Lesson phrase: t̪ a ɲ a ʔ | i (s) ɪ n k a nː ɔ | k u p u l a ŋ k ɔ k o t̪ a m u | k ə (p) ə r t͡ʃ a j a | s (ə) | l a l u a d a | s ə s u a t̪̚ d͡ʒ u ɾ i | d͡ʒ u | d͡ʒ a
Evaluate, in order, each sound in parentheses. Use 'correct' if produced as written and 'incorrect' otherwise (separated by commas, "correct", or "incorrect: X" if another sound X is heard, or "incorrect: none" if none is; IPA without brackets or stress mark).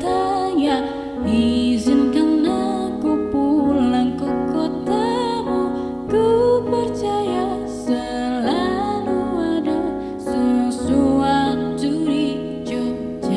incorrect: z, correct, correct